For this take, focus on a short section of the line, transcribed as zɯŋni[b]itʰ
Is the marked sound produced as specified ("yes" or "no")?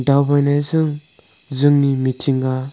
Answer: no